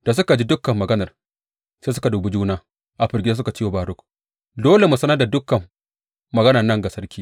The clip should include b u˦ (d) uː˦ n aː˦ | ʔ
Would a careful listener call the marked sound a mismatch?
yes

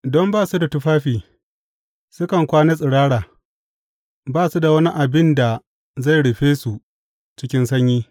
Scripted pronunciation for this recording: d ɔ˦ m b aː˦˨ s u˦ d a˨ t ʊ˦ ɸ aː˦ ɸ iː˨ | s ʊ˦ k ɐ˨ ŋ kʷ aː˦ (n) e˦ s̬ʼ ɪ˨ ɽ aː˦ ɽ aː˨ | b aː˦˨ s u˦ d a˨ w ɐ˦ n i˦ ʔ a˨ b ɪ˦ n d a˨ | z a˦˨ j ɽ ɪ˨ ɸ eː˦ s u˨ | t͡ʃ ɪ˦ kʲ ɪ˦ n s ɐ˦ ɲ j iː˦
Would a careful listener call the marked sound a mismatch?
no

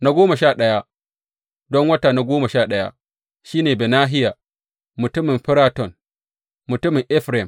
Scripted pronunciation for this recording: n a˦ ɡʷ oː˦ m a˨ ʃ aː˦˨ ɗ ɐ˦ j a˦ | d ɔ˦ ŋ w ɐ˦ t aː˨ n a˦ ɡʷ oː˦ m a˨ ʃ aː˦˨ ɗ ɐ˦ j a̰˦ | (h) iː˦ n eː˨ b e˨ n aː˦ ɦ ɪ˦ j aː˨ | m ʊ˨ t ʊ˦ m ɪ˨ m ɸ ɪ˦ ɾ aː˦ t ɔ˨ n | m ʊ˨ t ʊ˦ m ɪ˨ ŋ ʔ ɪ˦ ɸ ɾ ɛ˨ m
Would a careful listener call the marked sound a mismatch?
yes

